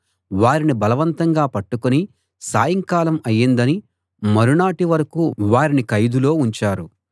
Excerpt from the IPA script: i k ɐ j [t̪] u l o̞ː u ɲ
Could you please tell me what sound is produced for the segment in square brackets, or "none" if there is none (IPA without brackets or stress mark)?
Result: d̪